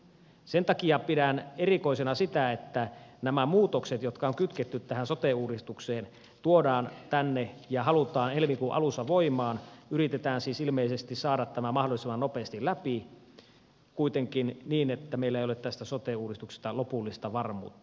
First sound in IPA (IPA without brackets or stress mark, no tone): s